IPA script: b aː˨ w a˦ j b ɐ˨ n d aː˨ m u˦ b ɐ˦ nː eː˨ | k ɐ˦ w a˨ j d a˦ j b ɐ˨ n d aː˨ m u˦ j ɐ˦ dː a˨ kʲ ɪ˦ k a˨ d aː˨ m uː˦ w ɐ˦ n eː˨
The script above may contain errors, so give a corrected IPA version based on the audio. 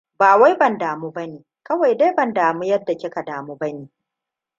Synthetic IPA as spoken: b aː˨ w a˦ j b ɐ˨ n d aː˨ m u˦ b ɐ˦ n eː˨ | k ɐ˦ w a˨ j d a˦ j b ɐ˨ n d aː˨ m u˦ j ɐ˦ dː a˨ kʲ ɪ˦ k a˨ d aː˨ m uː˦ b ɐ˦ n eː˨